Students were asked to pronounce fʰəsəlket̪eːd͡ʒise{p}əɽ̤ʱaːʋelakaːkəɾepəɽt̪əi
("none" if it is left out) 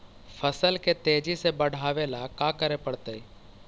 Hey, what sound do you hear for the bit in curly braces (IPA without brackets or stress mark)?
b